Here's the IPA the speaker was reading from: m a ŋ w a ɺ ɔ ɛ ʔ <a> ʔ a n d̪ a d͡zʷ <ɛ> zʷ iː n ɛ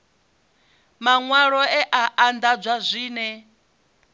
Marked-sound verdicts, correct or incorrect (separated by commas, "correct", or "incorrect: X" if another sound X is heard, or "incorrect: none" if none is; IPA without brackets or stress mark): correct, incorrect: a